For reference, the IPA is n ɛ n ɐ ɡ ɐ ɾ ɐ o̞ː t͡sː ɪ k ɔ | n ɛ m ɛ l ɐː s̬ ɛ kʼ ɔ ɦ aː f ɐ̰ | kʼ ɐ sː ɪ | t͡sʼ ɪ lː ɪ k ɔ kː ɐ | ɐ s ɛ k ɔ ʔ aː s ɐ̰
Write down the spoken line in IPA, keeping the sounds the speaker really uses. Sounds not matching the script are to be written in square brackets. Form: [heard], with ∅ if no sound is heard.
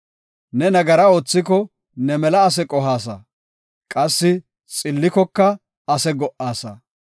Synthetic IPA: n ɛ n ɐ ɡ ɐ ɾ ɐ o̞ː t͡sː ɪ k ɔ | n ɛ m ɛ l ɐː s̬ ɛ kʼ ɔ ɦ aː [s] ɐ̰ | kʼ ɐ sː ɪ | t͡sʼ ɪ lː ɪ k ɔ kː ɐ | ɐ s ɛ [ɡ] ɔ ʔ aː s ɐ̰